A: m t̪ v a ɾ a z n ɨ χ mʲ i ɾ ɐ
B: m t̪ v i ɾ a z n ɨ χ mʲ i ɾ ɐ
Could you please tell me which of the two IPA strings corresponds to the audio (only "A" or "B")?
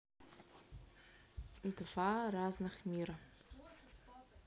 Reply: A